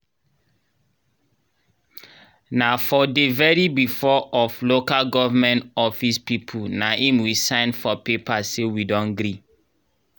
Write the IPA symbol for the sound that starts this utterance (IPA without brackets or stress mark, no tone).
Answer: n